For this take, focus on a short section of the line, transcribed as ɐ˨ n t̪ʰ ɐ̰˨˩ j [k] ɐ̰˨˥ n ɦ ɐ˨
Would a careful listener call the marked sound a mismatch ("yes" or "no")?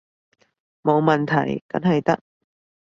no